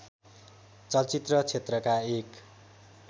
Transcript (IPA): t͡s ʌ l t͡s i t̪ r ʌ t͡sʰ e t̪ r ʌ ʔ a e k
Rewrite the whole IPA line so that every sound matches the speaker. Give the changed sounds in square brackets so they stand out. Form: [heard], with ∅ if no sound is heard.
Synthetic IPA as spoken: t͡s ʌ l t͡s i t̪ r ʌ t͡sʰ e t̪ r ʌ [k] a e k

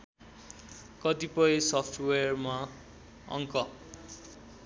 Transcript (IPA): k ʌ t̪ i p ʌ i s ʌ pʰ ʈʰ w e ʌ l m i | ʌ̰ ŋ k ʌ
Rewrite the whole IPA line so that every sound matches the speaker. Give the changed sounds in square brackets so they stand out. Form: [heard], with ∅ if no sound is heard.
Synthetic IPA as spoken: k ʌ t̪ i p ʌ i s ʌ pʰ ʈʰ w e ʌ [r] m [a] | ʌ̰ ŋ k ʌ

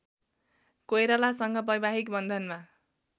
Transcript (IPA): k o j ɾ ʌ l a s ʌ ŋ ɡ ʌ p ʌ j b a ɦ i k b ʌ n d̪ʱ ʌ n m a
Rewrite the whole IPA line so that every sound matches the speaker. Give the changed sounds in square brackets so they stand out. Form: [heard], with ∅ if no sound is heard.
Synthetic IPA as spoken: k o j ɾ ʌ l a s ʌ ŋ ɡ ʌ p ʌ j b a ɦ i k b ʌ n d̪ʱ ʌ n m a

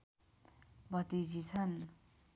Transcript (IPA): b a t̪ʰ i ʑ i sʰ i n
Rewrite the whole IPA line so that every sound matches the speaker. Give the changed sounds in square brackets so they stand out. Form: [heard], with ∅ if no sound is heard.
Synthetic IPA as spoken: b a [t̪] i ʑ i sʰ [a] n

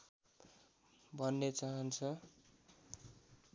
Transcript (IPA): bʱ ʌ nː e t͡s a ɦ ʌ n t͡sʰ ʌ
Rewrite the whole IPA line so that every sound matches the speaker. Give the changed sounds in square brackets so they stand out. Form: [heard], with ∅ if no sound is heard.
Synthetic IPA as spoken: bʱ ʌ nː e t͡s a ɦ ʌ n t͡sʰ ʌ

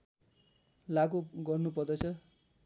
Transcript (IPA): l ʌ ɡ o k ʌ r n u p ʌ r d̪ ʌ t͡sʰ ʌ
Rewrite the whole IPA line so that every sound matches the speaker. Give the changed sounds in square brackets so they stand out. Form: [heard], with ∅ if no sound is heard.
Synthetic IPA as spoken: l [a] ɡ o [ɡ] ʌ r n u p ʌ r d̪ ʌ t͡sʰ ʌ

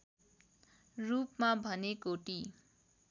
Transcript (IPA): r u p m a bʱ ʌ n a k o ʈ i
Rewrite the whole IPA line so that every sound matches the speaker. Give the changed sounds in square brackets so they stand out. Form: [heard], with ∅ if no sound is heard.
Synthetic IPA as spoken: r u p m a bʱ ʌ n [e] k o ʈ i

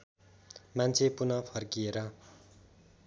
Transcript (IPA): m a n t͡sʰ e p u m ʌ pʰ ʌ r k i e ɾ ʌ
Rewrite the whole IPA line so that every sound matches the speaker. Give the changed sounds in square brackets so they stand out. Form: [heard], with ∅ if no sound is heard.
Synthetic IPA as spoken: m a n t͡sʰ e p u [n] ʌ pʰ ʌ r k i e ɾ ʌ

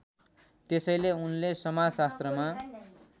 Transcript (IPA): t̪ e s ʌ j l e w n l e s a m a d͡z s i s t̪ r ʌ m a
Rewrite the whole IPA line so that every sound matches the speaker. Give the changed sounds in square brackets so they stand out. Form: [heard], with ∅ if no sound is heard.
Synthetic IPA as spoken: t̪ e s ʌ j l e [u] n l e s [ʌ] m a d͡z s [a] s t̪ r ʌ m a

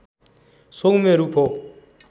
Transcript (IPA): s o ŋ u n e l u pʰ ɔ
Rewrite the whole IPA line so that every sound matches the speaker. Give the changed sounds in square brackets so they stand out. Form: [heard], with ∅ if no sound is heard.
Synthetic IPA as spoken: s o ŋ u [m] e [ɾ] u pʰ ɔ

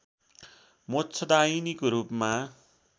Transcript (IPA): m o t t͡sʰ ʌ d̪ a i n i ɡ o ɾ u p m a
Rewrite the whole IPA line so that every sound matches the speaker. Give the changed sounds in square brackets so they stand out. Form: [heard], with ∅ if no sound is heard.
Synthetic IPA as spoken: m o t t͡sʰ ʌ d̪ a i n i [k] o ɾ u p m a

